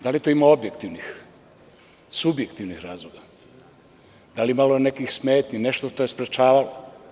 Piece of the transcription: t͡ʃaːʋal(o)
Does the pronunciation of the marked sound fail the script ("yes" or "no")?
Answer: no